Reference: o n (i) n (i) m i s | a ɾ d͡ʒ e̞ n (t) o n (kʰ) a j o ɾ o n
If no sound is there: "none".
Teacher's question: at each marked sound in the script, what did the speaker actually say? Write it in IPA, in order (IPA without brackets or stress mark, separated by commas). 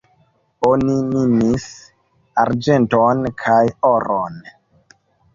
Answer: i, i, t, kʰ